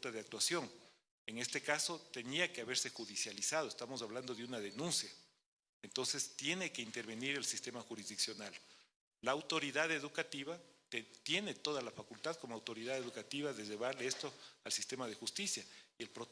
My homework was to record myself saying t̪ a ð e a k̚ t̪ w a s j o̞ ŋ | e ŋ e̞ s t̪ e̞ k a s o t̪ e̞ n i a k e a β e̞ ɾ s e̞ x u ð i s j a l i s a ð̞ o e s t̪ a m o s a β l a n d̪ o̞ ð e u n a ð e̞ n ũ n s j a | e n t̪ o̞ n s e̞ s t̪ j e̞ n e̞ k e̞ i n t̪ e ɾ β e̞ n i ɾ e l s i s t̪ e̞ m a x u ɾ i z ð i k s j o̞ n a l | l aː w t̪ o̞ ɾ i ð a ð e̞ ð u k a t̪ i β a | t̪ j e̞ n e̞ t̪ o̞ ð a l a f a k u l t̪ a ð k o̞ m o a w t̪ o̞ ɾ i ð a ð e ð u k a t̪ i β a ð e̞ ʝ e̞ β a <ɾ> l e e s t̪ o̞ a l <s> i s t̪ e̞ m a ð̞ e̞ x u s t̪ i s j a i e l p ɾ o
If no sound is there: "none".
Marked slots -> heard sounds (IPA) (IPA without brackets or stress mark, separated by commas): ɾ, s